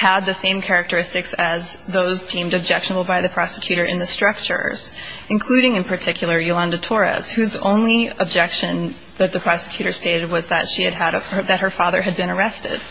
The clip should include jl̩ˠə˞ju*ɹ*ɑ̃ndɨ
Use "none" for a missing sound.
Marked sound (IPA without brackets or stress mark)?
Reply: l